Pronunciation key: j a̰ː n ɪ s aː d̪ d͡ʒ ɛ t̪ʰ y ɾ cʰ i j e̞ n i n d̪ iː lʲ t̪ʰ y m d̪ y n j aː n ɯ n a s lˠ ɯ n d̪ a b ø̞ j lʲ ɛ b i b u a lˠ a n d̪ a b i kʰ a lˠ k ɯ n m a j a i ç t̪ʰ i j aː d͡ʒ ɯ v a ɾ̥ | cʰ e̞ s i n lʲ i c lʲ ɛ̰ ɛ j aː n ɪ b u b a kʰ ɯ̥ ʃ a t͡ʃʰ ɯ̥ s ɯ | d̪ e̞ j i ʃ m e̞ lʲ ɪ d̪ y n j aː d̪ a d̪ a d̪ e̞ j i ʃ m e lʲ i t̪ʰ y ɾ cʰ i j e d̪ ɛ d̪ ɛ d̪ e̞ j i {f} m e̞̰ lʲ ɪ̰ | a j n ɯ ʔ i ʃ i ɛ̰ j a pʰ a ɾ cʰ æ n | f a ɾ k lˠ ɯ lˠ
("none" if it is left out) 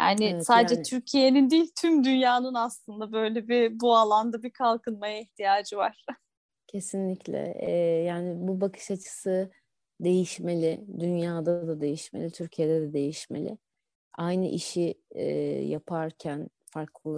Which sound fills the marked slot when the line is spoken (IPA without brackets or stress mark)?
ʃ